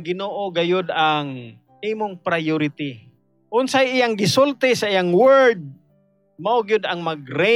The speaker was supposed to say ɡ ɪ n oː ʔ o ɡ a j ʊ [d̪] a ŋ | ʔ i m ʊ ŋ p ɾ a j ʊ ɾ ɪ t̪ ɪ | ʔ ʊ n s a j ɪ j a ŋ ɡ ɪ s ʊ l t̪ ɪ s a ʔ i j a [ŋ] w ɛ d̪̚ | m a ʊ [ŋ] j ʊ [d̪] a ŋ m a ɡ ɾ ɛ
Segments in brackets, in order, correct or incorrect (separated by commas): correct, correct, incorrect, correct